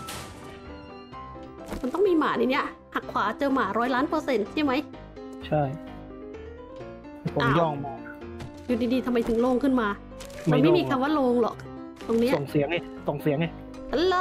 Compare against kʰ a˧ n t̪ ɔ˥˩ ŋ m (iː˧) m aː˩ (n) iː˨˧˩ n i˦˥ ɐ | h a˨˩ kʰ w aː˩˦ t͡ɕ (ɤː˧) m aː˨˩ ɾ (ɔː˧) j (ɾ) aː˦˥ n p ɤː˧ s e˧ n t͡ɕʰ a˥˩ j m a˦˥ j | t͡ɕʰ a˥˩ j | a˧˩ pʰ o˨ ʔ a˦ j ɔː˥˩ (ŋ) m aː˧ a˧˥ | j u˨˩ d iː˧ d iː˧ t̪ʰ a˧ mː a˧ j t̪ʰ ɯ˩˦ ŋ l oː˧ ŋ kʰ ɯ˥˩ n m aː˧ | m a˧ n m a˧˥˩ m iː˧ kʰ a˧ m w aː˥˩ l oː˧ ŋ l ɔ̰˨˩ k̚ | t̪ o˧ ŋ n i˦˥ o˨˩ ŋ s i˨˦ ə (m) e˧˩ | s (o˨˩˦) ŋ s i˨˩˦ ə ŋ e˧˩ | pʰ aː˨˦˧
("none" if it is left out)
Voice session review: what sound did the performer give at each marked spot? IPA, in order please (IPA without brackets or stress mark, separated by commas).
iː˧, n, ɤː˧, ɔː˦˥, l, ŋ, ŋ, o˨˩